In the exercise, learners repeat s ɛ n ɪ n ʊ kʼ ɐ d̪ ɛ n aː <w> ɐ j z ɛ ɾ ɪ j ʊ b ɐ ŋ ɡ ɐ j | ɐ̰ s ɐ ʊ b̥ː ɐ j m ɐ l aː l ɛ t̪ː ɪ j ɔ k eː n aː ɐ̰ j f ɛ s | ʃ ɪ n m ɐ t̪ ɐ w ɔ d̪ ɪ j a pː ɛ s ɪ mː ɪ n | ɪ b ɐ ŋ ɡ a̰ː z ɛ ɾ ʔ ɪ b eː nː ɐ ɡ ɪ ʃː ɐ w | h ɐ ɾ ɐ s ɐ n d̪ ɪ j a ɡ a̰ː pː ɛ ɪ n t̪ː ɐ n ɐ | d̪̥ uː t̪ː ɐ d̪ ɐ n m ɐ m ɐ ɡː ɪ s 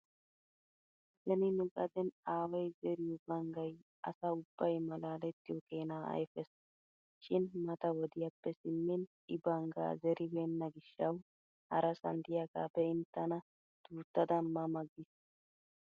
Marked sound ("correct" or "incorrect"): correct